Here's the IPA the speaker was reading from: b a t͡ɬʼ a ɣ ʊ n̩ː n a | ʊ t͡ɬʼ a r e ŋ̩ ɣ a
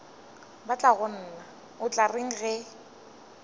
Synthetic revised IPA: b a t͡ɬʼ a ɣ ʊ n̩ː n a | ʊ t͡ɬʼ a r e ŋ̩ ɣ ɛ